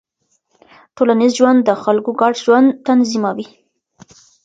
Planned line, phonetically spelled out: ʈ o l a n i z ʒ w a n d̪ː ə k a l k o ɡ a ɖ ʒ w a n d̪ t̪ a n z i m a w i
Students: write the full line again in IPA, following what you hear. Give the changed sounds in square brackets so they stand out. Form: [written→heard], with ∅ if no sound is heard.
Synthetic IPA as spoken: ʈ o l a n i z ʒ w a n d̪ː ə [k→x] a l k o ɡ [a→ɑ] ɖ ʒ w a n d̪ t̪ a n z i m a w i